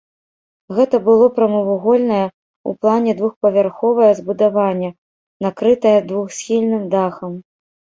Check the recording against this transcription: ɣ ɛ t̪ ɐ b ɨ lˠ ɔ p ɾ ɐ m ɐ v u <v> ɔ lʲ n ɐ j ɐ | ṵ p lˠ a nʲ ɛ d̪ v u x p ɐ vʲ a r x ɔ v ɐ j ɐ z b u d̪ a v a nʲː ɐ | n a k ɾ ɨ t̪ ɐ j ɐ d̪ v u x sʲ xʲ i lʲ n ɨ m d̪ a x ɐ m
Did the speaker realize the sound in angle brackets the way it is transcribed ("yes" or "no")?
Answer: no